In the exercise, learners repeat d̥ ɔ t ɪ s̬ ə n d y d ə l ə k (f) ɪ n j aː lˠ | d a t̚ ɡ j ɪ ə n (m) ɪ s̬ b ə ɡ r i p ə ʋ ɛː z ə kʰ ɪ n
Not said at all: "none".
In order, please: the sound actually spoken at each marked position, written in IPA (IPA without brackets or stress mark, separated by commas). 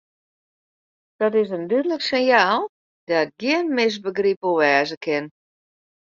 s, m